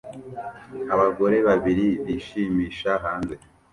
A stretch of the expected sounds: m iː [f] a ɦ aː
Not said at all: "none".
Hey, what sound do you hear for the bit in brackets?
ʃ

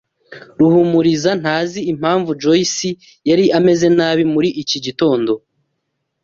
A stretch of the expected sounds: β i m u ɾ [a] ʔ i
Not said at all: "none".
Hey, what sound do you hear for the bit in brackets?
i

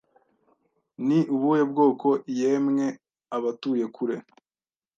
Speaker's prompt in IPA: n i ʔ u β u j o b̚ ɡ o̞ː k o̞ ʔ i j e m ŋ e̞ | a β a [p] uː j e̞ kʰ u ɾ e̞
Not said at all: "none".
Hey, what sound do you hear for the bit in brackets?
t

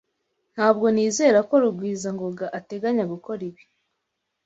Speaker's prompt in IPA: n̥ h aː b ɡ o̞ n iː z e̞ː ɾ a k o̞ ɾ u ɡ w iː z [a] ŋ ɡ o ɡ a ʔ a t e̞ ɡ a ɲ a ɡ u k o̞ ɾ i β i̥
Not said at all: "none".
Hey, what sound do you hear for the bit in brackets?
a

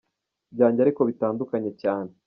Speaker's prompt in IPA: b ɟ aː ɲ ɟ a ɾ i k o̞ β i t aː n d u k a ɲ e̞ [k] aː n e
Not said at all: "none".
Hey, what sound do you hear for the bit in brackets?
c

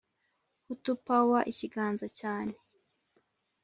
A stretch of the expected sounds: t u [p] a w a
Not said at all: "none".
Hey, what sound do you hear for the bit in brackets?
p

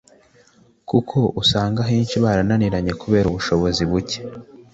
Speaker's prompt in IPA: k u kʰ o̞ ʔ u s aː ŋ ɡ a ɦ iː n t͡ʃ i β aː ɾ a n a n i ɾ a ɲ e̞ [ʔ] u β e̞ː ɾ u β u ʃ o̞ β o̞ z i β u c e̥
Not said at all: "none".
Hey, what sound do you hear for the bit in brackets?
k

